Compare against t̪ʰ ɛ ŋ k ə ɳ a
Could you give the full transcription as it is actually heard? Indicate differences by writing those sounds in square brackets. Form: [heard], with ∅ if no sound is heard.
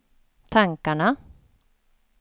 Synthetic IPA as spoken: t̪ʰ [a] ŋ k [a] ɳ a

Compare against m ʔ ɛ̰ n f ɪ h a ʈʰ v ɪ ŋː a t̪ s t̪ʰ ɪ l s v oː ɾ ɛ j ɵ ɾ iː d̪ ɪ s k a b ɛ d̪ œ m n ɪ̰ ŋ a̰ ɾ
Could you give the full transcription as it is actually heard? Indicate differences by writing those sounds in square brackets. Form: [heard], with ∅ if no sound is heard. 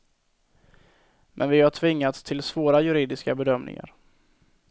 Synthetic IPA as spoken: m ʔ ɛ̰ n [v] ɪ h a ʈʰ v ɪ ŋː a t̪ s t̪ʰ ɪ l s v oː ɾ [a] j ɵ ɾ iː d̪ ɪ s k a b ɛ d̪ œ m n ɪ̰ ŋ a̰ ɾ

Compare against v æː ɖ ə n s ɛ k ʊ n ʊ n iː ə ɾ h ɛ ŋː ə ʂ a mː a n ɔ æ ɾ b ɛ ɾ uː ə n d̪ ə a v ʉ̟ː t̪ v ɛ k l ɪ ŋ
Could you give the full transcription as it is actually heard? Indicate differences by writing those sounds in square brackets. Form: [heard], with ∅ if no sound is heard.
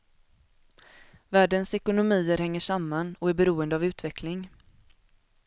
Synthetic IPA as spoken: v æː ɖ ə n s ɛ k ʊ n ʊ [m] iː ə ɾ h ɛ ŋː ə ʂ a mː a n ɔ æ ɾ b ɛ ɾ uː ə n d̪ ə a v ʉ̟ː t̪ v ɛ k l ɪ ŋ

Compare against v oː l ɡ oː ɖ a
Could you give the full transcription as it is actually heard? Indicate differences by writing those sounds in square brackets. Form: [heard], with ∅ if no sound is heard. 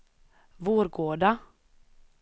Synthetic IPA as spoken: v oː [ɾ] ɡ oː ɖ a

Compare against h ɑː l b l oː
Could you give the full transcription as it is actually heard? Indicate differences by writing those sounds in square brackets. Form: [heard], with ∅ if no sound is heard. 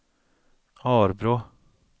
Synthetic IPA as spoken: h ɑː [ɾ] b [ɾ] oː

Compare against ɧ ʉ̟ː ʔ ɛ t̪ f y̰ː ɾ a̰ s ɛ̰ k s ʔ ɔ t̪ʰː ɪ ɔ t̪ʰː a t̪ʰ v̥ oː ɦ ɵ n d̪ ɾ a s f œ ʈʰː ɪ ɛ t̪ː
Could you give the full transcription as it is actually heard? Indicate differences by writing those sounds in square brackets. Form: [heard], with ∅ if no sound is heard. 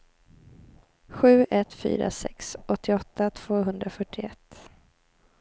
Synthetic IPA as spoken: ɧ ʉ̟ː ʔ ɛ t̪ f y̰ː ɾ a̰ s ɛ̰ k s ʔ ɔ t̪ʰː ɪ ɔ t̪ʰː a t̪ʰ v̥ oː ɦ ɵ n d̪ ɾ a [∅] f œ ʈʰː ɪ ɛ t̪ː

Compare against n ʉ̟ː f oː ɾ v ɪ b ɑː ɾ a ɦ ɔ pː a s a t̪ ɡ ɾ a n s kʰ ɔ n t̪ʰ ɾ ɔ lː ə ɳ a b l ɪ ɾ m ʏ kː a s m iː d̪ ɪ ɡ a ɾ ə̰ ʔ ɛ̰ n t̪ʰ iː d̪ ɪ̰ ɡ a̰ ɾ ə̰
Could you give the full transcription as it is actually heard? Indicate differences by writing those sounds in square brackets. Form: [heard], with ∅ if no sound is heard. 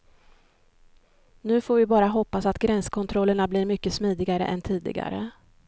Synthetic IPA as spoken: n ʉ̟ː f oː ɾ v ɪ b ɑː ɾ a ɦ ɔ pː a s a t̪ ɡ ɾ [ɛ] n s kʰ ɔ n t̪ʰ ɾ ɔ lː ə ɳ a b l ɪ ɾ m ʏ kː [ə] s m iː d̪ ɪ ɡ a ɾ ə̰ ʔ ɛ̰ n t̪ʰ iː d̪ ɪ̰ ɡ a̰ ɾ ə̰

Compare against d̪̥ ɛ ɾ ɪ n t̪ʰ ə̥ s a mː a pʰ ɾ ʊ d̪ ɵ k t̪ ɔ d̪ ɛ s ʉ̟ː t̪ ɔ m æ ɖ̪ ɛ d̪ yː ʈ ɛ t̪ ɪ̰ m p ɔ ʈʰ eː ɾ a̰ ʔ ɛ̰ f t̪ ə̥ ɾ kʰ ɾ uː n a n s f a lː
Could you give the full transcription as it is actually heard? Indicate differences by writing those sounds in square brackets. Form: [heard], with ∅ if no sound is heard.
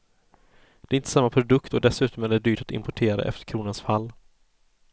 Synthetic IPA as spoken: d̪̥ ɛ ɾ ɪ n [t̪] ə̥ s a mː a pʰ ɾ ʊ d̪ ɵ k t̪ ɔ d̪ ɛ s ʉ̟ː t̪ ɔ m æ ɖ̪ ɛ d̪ yː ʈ [a] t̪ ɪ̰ m p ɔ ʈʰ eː ɾ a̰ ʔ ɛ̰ f t̪ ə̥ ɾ kʰ ɾ uː n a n s f a lː

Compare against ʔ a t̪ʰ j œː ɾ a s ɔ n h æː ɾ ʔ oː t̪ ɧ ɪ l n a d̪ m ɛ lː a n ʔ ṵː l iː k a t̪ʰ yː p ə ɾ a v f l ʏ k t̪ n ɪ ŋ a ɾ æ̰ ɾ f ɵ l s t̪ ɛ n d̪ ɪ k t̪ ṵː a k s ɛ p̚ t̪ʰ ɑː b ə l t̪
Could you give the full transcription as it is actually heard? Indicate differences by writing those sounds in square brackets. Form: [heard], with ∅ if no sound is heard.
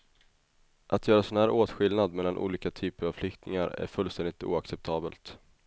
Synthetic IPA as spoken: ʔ a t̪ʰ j œː ɾ a s ɔ n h æː ɾ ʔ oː t̪ ɧ ɪ l n a d̪ m ɛ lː a n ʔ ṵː l iː k a t̪ʰ yː p ə ɾ a v f l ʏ k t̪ n ɪ ŋ a ɾ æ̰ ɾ f ɵ l s t̪ ɛ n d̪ ɪ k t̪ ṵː a k s ɛ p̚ t̪ʰ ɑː b ə l t̪

